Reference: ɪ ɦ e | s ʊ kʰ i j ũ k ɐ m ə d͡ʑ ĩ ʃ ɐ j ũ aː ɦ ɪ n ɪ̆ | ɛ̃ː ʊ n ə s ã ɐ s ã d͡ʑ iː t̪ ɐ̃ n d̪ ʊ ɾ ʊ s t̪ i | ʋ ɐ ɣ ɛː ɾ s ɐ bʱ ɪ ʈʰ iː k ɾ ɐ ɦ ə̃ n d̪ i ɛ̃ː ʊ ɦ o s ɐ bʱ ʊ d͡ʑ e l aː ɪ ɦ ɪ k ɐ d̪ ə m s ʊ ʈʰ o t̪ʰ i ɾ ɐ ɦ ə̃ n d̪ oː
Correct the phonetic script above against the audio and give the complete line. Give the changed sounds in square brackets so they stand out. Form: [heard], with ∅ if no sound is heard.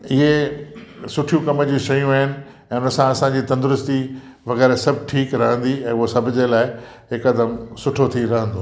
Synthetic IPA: ɪ ɦ e | s ʊ [ʈʰ] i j ũ k ɐ m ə d͡ʑ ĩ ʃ ɐ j ũ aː ɦ ɪ n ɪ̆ | ɛ̃ː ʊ n ə s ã ɐ s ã d͡ʑ iː t̪ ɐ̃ n d̪ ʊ ɾ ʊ s t̪ i | ʋ ɐ ɣ ɛː ɾ s ɐ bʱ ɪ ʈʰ iː k ɾ ɐ ɦ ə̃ n d̪ i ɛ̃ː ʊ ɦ o s ɐ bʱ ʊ d͡ʑ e l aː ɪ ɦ ɪ k ɐ d̪ ə m s ʊ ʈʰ o t̪ʰ i ɾ ɐ ɦ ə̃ n d̪ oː

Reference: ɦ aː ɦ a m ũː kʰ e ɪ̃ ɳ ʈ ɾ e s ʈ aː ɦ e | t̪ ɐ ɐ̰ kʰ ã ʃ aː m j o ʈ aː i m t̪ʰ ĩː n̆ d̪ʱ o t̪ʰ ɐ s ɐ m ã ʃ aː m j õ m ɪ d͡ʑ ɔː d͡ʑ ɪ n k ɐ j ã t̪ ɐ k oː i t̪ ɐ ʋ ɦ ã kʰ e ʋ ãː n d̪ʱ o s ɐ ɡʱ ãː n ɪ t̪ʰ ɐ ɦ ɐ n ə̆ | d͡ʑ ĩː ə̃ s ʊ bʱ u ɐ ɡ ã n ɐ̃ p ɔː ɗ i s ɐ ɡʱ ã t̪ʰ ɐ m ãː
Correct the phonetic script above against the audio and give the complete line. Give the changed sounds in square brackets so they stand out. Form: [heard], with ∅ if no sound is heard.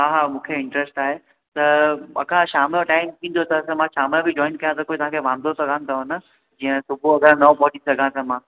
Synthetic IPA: ɦ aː ɦ a m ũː kʰ e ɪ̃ ɳ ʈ ɾ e s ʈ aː ɦ e | t̪ ɐ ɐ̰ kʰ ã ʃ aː m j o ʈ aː [ɪ] m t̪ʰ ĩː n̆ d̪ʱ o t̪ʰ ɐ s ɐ m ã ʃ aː m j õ [b] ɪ d͡ʑ ɔː [∅] ɪ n k ɐ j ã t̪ ɐ k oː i t̪ ɐ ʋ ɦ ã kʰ e ʋ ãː n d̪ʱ o s ɐ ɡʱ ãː n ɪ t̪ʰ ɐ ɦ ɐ n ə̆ | d͡ʑ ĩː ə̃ s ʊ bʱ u ɐ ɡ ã n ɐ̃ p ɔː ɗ i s ɐ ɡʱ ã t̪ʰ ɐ m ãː

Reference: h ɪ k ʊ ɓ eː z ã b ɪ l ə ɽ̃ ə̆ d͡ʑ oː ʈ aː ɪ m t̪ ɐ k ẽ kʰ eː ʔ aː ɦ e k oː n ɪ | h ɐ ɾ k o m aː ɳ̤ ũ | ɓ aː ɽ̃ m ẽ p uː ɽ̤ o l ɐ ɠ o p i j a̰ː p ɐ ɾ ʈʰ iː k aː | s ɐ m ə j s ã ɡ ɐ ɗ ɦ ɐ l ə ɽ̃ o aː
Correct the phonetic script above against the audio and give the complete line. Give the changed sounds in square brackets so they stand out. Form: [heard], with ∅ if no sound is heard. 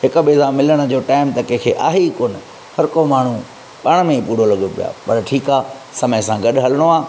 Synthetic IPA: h ɪ k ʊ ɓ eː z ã [m] ɪ l ə ɽ̃ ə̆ d͡ʑ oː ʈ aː ɪ m t̪ ɐ k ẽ kʰ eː ʔ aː ɦ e k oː n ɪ | h ɐ ɾ k o m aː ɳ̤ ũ | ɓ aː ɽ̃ m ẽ p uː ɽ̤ o l ɐ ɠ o p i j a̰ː p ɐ ɾ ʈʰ iː k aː | s ɐ m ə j s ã ɡ ɐ ɗ ɦ ɐ l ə ɽ̃ o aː

